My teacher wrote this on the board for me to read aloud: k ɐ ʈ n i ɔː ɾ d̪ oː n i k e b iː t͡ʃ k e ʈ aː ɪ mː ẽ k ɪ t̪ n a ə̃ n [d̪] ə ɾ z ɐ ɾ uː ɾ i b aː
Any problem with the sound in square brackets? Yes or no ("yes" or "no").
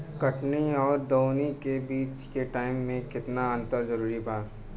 yes